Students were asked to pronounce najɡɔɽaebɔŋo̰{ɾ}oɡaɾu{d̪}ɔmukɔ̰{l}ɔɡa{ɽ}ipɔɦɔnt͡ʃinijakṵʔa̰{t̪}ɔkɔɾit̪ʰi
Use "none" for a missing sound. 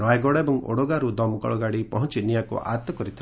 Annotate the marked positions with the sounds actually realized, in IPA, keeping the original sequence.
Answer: ɽ, d̪, ɭ, ɽ, t̪

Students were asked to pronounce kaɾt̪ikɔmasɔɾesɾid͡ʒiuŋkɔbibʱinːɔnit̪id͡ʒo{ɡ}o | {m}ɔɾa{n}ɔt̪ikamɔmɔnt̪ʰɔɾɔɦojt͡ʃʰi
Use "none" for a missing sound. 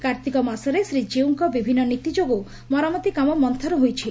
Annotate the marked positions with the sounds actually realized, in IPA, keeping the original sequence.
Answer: ɡ, m, m

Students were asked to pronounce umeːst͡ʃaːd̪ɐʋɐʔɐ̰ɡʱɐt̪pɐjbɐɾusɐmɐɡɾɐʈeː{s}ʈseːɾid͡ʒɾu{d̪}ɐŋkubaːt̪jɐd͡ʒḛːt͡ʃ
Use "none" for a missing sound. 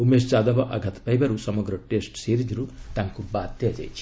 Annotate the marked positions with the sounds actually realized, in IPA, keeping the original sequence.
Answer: s, t̪

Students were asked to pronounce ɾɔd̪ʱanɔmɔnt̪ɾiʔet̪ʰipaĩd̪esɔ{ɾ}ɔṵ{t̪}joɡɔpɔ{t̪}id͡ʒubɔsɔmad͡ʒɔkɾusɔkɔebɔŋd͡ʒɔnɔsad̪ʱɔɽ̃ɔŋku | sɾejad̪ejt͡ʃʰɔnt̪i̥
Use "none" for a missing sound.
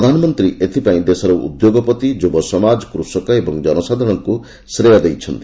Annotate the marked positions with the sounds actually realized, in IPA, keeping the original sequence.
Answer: ɾ, d̪, t̪

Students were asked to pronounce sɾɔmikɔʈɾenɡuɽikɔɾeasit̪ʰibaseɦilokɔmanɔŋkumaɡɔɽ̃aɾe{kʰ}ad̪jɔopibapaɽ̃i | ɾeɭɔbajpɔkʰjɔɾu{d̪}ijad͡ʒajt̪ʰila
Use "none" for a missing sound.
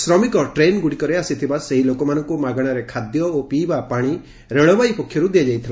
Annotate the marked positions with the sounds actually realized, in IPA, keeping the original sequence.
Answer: kʰ, d̪

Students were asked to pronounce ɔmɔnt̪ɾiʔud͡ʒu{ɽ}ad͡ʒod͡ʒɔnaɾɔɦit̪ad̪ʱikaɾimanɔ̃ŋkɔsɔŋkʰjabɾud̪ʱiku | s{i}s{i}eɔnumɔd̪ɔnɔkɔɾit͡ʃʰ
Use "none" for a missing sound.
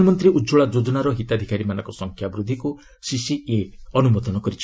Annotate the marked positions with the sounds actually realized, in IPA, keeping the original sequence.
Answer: ɭ, i, i

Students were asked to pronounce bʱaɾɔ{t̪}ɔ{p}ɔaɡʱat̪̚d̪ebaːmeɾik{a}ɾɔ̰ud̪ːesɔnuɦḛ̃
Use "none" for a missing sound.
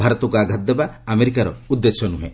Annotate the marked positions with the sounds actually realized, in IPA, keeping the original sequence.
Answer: t̪, k, a

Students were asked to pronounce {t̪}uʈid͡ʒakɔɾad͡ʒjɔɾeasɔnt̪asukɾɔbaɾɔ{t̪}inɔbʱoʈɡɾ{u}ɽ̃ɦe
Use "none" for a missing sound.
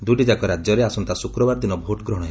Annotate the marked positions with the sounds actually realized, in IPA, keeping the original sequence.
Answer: d̪, d̪, ɔ

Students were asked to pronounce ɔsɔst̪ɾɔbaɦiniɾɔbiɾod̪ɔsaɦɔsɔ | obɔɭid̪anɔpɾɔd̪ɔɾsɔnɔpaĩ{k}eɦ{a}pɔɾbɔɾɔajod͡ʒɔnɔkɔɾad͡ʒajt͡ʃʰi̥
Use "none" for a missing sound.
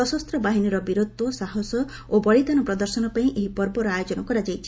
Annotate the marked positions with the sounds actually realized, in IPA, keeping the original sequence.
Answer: ʔ, i

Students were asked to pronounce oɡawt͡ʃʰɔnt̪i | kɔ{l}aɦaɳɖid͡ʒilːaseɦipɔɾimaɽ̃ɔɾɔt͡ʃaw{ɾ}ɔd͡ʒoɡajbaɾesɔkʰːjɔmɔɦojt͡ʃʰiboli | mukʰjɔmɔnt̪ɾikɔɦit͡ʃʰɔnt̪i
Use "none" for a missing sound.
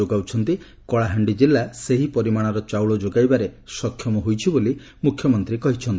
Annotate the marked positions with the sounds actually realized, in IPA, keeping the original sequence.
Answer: ɭ, ɭ

